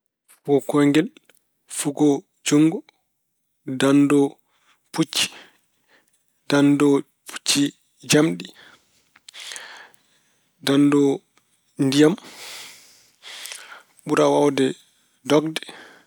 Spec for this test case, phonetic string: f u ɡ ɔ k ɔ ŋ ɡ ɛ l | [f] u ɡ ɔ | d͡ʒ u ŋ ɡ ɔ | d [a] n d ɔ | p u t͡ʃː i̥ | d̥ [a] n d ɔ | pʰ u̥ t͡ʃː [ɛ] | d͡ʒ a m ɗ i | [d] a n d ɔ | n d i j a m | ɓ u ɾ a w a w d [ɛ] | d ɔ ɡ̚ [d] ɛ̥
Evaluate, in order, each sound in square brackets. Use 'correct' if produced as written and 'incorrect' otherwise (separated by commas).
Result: correct, correct, correct, incorrect, correct, correct, correct